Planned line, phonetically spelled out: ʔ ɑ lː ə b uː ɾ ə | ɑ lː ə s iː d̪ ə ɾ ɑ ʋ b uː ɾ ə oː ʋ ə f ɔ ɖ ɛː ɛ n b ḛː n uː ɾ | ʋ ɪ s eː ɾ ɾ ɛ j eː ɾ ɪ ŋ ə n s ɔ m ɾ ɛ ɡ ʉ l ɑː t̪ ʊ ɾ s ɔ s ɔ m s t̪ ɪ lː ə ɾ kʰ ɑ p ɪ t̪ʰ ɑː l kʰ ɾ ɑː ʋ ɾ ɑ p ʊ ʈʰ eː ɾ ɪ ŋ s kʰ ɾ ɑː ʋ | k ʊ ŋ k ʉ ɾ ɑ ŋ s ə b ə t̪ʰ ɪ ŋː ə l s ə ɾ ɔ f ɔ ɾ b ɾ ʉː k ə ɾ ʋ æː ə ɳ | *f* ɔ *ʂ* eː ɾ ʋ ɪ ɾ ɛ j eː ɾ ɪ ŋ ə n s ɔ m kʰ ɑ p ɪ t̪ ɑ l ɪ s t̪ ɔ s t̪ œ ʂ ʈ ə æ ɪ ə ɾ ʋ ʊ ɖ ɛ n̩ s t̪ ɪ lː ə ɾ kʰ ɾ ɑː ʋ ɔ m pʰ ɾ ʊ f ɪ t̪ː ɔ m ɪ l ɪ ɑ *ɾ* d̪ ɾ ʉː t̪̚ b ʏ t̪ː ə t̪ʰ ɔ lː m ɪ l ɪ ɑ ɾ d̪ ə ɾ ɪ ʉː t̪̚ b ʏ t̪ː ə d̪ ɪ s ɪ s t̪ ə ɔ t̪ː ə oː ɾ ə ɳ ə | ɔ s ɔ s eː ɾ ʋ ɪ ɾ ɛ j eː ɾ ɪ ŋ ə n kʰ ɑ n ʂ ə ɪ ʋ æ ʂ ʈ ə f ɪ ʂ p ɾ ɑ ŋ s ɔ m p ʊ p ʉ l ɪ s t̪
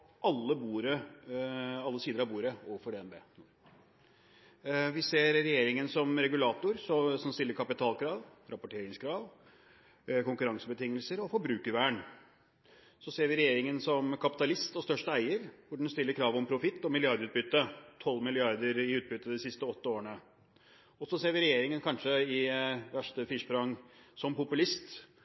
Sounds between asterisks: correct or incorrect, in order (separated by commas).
incorrect, incorrect, correct